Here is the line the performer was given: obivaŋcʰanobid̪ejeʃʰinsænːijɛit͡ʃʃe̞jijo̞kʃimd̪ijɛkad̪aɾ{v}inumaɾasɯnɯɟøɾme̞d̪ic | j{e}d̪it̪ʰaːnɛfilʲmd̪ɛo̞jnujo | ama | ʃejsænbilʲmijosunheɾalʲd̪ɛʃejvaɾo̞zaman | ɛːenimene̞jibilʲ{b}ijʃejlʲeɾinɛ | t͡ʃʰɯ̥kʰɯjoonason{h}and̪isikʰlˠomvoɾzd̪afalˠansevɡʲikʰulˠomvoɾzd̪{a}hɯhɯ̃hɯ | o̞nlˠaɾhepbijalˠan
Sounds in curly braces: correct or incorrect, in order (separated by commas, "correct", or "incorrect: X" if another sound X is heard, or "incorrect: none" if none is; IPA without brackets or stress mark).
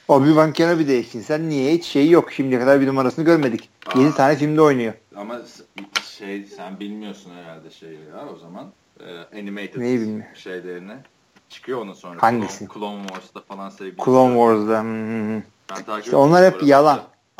incorrect: b, correct, incorrect: m, correct, correct